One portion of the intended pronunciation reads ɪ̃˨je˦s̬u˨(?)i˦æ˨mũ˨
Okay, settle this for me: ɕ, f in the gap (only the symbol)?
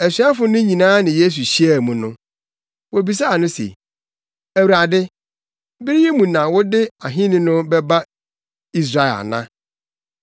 ɕ